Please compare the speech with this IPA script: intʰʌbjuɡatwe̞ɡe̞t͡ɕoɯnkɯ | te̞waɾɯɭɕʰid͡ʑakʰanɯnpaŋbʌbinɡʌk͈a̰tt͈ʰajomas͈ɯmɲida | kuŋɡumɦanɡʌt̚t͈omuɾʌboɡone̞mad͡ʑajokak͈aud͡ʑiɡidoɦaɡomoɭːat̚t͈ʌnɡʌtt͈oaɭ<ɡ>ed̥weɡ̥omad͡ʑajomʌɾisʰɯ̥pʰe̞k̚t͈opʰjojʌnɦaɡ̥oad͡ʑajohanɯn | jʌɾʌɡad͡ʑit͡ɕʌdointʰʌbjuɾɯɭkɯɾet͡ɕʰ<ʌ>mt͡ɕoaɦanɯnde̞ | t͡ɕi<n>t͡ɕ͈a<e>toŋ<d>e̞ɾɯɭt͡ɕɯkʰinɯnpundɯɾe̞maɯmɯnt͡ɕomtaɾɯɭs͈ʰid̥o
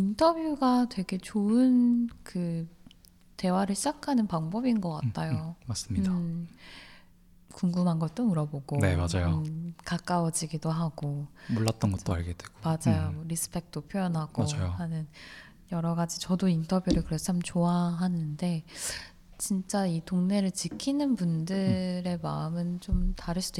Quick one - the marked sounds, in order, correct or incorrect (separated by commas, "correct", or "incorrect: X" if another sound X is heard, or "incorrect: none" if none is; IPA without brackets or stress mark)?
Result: correct, incorrect: a, correct, incorrect: i, incorrect: n